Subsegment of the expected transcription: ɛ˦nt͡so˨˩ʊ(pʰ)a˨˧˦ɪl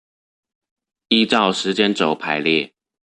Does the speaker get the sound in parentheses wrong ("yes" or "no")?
no